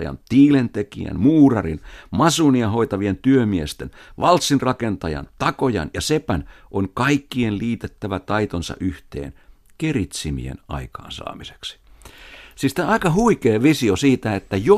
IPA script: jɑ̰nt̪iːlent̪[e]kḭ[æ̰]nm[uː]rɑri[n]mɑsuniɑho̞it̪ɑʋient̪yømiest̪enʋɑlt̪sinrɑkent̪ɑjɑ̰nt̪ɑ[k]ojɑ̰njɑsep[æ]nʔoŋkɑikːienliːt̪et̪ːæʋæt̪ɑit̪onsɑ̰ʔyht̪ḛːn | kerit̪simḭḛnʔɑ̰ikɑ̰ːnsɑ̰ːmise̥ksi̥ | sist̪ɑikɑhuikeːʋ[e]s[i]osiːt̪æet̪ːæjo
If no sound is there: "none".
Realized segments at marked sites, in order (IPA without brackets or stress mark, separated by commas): e, æ̰, uː, n, k, æ, i, i